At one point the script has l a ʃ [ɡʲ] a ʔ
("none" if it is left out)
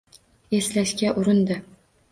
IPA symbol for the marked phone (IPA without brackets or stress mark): kʲ